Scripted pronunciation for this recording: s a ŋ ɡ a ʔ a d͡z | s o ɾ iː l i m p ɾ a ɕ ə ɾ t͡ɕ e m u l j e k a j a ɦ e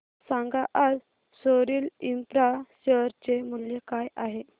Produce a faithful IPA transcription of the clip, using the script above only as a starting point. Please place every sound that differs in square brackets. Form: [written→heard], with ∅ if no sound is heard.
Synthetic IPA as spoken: s a ŋ ɡ a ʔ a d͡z | s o ɾ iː l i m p ɾ a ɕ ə ɾ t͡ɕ e m u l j e k a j a ɦ e